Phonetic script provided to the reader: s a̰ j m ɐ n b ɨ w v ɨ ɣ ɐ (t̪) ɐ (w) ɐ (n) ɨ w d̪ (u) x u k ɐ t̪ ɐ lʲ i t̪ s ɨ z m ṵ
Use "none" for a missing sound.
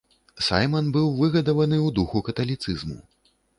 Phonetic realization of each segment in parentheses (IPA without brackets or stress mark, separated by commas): d̪, v, n, u